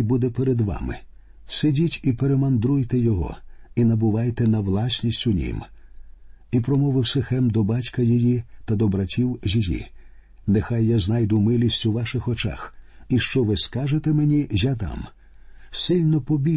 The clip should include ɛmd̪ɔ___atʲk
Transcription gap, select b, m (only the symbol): b